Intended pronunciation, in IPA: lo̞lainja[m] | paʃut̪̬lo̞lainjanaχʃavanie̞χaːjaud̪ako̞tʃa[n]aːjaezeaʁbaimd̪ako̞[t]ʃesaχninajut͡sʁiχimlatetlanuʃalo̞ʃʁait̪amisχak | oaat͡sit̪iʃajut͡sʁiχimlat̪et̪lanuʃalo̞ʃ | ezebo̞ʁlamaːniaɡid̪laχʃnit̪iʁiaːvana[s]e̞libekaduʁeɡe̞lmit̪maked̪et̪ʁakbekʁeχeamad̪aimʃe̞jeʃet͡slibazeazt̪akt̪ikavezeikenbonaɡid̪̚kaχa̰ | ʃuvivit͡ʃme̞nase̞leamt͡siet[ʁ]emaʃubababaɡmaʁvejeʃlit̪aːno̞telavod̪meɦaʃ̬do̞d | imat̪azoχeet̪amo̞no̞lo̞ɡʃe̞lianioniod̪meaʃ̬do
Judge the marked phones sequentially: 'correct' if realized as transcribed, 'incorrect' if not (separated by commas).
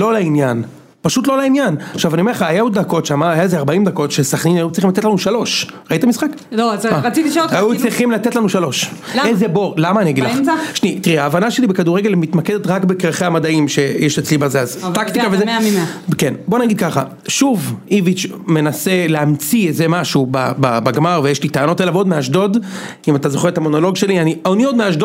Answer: incorrect, incorrect, correct, incorrect, incorrect